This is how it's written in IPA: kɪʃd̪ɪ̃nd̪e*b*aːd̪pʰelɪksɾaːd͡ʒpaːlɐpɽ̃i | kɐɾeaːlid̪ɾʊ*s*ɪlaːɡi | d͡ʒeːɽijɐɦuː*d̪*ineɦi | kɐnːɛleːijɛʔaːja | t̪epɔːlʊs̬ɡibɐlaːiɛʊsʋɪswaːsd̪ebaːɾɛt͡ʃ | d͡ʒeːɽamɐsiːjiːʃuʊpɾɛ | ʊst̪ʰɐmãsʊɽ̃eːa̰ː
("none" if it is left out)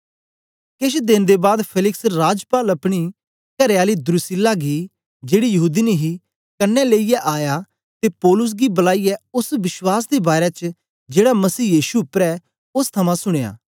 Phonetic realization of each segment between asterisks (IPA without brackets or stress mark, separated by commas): b, s, d̪